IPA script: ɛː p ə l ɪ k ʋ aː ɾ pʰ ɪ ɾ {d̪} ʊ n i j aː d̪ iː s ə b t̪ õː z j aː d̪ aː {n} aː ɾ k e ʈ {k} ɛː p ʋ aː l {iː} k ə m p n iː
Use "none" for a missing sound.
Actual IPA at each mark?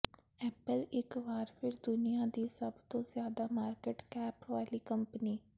d̪, m, k, iː

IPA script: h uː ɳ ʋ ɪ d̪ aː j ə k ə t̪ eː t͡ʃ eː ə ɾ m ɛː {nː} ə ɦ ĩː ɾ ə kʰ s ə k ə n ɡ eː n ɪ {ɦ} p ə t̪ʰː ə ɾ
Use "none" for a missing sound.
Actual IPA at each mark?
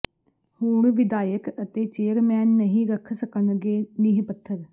nː, ɦ

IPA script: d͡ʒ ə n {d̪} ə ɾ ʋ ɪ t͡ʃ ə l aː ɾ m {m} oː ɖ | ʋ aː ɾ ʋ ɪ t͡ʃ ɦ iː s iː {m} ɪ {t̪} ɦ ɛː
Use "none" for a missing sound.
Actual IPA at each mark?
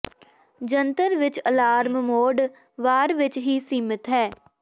t̪, m, m, t̪

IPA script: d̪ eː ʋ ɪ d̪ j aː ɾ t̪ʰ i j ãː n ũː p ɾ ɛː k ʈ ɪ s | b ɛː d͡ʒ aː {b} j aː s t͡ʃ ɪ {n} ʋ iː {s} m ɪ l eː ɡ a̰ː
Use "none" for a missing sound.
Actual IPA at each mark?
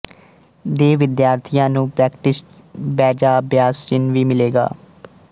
b, n, none

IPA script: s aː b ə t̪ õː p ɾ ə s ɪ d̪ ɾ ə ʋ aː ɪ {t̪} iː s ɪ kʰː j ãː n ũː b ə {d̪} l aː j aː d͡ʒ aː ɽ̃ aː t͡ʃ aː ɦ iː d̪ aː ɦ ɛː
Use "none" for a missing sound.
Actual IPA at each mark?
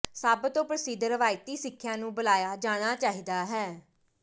t̪, none

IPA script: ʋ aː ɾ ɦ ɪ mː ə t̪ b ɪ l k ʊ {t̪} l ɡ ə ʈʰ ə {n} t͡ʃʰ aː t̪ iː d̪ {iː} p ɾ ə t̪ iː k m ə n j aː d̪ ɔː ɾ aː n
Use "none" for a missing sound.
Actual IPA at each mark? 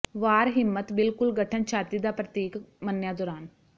none, n, aː

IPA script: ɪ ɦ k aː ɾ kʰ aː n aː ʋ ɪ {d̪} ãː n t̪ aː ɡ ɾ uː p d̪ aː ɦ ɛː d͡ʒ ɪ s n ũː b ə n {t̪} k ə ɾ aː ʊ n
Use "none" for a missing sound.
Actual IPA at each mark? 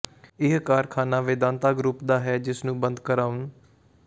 d̪, d̪

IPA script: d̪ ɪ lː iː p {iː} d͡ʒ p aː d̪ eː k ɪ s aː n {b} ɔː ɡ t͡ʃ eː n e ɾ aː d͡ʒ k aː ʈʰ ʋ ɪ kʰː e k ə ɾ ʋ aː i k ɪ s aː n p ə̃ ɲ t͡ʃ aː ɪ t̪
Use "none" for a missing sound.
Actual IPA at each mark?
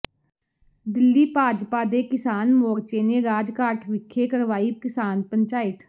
aː, m

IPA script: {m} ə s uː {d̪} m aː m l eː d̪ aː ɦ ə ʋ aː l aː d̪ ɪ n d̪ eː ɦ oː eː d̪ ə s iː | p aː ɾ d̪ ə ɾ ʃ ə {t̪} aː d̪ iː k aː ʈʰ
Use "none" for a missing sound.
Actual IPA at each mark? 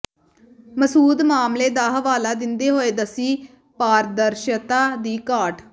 m, d̪, t̪

